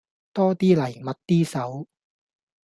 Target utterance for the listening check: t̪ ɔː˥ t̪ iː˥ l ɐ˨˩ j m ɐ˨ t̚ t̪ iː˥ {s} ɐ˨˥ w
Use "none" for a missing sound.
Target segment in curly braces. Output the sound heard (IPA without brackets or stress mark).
s